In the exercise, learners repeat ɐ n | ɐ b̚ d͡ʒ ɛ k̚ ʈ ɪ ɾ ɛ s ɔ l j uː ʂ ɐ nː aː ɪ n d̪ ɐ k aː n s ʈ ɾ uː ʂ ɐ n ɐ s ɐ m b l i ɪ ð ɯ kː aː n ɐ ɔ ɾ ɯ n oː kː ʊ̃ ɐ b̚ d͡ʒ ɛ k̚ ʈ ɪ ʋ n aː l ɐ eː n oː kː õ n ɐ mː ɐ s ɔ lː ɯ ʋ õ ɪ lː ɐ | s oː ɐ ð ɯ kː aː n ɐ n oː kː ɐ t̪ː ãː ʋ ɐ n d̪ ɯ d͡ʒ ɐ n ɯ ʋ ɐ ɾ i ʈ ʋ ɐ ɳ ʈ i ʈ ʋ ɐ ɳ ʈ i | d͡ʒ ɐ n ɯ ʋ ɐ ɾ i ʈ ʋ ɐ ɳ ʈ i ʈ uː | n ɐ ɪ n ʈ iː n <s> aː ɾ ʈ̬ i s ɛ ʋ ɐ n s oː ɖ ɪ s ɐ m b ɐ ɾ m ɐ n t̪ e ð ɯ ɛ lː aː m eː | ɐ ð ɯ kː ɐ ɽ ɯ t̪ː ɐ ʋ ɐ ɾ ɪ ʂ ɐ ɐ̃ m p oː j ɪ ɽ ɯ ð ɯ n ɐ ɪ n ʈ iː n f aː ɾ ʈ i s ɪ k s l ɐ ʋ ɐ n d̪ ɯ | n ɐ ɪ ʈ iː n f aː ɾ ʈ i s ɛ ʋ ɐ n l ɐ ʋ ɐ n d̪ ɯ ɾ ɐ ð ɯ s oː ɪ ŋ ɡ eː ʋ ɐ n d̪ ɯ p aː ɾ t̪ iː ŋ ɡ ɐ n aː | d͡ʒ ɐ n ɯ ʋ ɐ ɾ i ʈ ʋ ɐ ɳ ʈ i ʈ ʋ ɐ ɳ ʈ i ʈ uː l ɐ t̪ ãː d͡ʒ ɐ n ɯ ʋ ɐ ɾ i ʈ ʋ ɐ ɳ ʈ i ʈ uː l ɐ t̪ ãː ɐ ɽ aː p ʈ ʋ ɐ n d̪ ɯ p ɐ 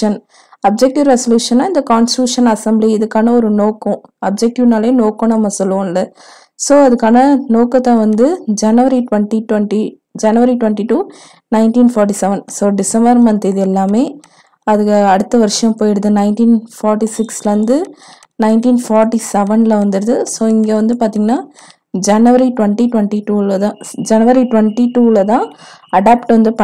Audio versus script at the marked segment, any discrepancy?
yes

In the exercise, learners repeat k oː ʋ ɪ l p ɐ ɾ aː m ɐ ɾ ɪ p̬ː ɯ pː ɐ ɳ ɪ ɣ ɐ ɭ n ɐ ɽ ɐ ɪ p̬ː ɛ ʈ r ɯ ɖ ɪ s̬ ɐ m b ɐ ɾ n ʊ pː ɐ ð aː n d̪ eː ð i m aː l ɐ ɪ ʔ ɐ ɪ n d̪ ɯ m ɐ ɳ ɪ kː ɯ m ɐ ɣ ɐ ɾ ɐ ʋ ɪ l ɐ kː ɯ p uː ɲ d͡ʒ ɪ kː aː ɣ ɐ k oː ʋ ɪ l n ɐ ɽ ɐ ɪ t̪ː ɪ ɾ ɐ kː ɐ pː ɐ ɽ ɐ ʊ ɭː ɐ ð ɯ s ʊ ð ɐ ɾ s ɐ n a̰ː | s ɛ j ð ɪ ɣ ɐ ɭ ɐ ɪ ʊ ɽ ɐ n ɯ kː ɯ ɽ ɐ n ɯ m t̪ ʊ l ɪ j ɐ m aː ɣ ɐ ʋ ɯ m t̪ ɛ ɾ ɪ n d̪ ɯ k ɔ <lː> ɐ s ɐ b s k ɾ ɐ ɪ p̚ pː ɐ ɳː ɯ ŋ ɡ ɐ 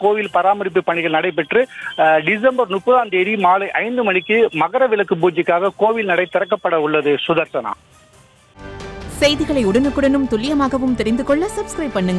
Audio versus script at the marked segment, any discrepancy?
yes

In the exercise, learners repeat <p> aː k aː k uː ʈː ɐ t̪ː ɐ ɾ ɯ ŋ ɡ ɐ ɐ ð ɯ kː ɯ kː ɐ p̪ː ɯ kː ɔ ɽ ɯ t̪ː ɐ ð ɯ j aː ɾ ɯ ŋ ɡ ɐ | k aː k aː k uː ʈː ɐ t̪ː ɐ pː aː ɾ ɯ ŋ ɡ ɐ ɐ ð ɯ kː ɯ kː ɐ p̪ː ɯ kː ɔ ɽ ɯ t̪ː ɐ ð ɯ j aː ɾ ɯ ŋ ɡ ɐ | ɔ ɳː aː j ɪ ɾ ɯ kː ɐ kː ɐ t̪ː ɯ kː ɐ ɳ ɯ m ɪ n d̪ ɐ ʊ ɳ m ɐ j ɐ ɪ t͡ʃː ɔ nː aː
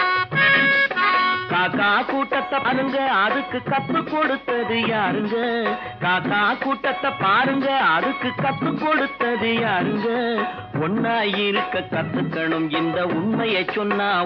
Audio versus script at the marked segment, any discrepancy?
yes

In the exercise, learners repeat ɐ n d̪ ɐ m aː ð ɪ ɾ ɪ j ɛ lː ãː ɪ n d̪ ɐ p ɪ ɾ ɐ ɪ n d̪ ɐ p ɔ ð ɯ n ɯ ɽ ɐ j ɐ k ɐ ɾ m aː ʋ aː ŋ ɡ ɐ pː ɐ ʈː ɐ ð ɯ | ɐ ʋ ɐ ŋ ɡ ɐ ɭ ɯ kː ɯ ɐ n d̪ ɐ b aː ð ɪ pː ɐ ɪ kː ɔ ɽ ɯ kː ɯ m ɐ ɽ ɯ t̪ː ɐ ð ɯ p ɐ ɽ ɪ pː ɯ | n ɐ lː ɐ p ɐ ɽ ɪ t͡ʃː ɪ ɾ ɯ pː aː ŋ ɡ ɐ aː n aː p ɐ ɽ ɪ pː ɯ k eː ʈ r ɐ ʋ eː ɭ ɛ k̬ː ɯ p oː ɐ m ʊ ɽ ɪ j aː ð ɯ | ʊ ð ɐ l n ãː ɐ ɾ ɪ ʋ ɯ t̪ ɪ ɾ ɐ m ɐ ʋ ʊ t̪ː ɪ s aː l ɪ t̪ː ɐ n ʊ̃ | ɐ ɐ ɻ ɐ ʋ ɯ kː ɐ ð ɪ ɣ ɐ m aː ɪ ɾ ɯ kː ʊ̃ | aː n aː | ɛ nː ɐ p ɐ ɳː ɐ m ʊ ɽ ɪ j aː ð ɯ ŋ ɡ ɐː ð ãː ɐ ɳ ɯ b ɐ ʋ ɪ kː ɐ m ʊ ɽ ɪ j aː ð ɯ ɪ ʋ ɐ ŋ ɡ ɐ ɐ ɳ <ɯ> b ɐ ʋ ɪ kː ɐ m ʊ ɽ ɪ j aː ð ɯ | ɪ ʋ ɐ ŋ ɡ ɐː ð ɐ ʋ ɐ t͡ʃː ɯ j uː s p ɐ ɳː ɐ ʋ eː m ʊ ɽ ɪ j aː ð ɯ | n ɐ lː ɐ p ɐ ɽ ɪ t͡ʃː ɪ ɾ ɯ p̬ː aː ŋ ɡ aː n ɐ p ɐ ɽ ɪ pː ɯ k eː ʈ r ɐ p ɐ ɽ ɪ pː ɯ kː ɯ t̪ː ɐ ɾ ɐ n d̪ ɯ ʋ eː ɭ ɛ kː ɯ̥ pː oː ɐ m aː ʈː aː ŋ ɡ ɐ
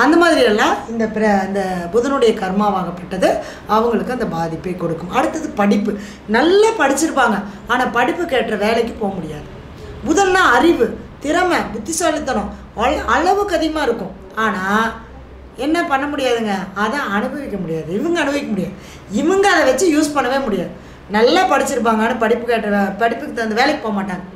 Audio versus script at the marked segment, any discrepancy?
no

